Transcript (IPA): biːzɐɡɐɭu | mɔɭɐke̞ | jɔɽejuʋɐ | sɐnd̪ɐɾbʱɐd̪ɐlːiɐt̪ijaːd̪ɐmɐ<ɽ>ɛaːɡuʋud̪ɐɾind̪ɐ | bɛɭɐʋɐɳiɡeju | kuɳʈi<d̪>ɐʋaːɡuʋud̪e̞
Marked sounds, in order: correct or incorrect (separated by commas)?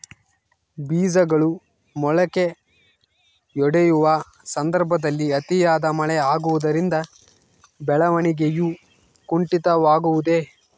incorrect, incorrect